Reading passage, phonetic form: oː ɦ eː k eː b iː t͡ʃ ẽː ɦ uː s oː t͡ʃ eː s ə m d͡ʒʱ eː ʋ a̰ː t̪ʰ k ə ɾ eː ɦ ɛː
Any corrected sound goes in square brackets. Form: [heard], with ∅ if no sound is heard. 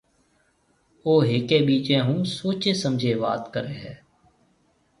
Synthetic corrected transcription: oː ɦ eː k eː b iː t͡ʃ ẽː ɦ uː s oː t͡ʃ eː s ə m d͡ʒʱ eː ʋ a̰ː [t̪] k ə ɾ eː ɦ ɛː